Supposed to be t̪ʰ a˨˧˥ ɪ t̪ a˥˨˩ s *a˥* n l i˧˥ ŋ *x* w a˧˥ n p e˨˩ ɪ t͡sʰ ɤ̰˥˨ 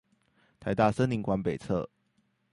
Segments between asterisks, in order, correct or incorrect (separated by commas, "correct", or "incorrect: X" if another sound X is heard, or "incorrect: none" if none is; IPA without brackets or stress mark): incorrect: ə˥, incorrect: k